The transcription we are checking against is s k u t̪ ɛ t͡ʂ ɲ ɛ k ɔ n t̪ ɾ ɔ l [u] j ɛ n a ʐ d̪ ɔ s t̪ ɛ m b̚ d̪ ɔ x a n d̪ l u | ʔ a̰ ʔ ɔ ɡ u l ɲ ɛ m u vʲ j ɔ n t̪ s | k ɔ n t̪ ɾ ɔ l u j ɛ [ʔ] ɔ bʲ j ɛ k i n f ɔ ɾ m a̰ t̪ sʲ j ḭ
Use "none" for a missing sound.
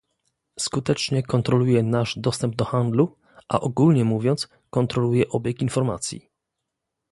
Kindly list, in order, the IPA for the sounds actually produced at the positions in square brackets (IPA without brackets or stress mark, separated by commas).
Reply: u, ʔ